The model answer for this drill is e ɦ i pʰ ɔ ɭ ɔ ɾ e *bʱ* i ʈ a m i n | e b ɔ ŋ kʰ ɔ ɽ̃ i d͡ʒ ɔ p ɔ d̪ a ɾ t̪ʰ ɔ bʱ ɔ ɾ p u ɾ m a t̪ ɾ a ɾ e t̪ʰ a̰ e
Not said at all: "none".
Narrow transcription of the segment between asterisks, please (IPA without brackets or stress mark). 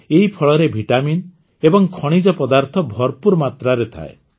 bʱ